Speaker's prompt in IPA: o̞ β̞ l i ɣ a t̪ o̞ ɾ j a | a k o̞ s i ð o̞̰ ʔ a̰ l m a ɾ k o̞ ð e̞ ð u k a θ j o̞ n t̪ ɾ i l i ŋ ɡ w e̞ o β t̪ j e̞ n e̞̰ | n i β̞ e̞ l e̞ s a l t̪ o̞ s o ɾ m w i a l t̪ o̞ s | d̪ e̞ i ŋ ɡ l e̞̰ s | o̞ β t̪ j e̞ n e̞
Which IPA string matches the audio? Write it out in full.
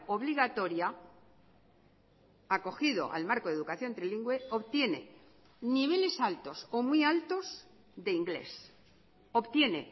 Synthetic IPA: o̞ β̞ l i ɣ a t̪ o̞ ɾ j a | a k o̞ x i ð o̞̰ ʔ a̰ l m a ɾ k o̞ ð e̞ ð u k a θ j o̞ n t̪ ɾ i l i ŋ ɡ w e̞ o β t̪ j e̞ n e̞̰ | n i β̞ e̞ l e̞ s a l t̪ o̞ s o m w i a l t̪ o̞ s | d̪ e̞ i ŋ ɡ l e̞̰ s | o̞ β t̪ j e̞ n e̞